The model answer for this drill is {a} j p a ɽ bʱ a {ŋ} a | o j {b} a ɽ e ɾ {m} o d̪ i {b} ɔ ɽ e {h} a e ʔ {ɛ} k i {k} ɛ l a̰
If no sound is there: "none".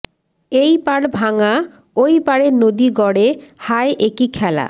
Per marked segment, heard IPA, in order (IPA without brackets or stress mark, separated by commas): e, ŋ, p, n, ɡ, h, e, kʰ